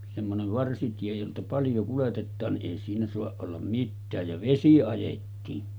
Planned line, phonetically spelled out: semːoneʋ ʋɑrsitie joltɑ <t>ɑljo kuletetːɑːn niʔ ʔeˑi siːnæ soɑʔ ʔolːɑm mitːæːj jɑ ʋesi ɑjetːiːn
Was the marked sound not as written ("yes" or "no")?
yes